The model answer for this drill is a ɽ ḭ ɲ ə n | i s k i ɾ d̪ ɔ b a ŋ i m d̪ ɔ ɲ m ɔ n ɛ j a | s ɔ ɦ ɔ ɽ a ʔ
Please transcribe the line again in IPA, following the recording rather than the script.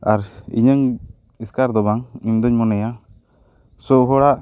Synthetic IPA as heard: a ɾ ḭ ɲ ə ŋ | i s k a ɾ d̪ ɔ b a ŋ i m d̪ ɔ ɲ m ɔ n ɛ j a | s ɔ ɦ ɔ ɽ a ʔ